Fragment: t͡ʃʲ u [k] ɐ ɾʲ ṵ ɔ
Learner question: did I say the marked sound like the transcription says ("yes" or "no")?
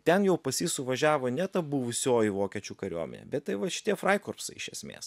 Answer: yes